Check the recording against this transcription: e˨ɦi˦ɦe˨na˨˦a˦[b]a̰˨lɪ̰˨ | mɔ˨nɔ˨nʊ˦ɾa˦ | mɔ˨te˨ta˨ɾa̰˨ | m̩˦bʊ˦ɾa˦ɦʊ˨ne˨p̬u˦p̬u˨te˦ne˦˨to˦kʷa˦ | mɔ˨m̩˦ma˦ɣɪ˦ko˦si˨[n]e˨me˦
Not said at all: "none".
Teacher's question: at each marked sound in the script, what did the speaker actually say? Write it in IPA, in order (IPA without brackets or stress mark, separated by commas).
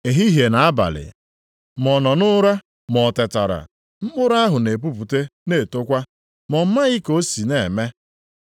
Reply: b, n